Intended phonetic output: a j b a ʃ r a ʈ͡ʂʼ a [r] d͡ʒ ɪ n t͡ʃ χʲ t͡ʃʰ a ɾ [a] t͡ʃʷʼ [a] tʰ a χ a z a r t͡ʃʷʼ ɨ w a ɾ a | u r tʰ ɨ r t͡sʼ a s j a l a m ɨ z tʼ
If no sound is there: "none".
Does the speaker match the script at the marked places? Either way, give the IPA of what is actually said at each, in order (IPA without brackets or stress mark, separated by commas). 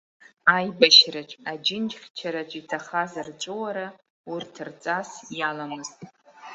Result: none, a, i